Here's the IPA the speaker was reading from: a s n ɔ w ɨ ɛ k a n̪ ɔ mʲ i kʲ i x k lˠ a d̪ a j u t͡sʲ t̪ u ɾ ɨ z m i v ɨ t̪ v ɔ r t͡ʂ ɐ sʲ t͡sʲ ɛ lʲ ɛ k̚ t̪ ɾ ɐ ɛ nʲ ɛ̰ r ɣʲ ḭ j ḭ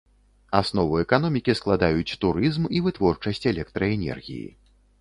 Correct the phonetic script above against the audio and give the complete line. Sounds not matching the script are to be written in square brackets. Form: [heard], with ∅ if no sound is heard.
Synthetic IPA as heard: a s n ɔ [v] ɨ ɛ k a n̪ ɔ mʲ i kʲ i [s] k lˠ a d̪ a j u t͡sʲ t̪ u ɾ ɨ z m i v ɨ t̪ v ɔ r t͡ʂ ɐ sʲ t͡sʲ ɛ lʲ ɛ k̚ t̪ ɾ ɐ ɛ nʲ ɛ̰ r ɣʲ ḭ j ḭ